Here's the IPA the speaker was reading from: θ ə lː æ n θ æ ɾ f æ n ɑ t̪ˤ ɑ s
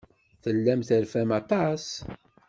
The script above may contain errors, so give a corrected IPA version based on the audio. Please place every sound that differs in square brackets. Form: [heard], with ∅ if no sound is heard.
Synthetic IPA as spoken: θ ə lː æ [m] θ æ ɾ f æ [m] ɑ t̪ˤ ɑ s